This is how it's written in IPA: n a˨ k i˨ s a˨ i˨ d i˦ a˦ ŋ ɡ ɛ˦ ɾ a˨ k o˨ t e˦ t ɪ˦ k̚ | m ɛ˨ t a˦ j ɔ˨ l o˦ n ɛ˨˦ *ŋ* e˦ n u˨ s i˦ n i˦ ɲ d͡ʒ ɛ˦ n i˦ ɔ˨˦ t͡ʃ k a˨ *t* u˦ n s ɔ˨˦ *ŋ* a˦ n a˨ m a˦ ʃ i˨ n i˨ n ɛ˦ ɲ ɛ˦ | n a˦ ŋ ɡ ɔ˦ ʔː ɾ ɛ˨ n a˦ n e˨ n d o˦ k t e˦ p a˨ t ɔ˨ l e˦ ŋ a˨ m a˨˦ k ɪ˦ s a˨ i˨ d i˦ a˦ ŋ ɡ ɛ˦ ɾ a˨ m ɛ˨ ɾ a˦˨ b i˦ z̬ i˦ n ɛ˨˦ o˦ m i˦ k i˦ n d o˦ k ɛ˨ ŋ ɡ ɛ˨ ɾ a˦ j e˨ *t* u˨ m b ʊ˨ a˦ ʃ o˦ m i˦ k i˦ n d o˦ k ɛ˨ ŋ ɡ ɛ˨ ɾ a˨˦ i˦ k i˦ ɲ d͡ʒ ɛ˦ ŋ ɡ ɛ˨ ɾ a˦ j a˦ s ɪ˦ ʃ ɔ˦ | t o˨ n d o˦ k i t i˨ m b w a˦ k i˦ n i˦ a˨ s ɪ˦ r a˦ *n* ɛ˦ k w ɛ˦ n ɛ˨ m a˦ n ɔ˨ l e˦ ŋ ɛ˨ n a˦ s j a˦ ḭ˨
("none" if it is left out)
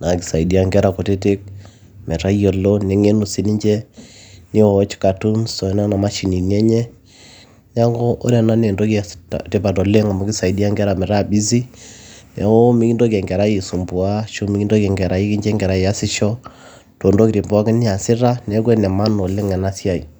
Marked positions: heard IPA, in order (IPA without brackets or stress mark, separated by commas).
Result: ŋ, t, n, s, n